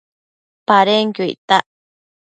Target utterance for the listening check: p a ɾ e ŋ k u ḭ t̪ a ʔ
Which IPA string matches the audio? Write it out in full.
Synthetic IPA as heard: p a ɾ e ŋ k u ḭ t̪ a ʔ